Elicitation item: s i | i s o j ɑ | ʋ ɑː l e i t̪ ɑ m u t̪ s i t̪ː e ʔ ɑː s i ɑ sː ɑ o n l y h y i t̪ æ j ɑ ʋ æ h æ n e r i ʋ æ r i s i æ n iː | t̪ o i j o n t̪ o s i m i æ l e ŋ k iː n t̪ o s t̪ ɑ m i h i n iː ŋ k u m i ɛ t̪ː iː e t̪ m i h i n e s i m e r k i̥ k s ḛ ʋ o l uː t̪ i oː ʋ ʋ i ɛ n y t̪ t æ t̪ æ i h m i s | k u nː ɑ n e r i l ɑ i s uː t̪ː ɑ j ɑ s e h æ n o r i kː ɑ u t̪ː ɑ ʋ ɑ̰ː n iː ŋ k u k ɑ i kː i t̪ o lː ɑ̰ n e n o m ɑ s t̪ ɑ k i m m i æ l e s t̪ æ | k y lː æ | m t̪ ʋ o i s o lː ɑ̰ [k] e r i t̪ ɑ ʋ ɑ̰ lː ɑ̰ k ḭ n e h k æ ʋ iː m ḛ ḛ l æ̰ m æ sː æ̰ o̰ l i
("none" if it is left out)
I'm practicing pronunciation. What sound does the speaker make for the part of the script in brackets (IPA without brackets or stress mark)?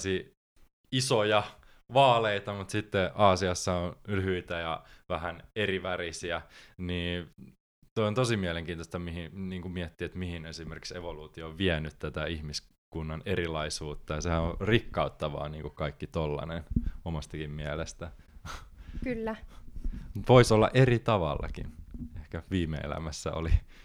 ʔ